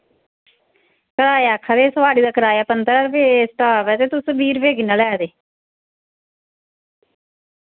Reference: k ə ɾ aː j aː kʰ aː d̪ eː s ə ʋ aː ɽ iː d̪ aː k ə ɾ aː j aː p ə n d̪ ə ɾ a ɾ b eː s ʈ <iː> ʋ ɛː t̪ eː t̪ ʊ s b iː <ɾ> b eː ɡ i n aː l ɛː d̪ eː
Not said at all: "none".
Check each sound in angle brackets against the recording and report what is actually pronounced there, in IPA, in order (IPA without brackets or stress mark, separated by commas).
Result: aː, ɾ